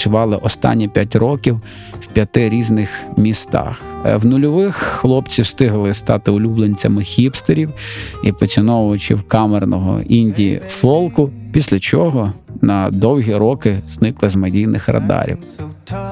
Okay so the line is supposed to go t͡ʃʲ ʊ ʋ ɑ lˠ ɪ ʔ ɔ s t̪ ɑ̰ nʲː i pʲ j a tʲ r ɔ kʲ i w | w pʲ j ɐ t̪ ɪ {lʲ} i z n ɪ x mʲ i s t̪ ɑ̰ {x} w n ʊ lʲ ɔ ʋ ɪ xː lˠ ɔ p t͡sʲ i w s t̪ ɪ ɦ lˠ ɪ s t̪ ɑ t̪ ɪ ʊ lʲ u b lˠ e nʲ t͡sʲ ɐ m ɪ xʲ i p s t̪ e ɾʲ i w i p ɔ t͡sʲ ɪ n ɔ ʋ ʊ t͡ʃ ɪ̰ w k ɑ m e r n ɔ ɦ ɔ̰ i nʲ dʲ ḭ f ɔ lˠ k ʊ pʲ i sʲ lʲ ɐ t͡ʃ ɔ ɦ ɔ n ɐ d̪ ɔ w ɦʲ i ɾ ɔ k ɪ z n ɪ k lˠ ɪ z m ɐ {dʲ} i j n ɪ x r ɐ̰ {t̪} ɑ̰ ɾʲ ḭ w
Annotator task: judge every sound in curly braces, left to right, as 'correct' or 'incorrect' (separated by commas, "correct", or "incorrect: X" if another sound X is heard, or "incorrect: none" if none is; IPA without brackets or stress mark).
incorrect: ɾʲ, correct, correct, incorrect: d̪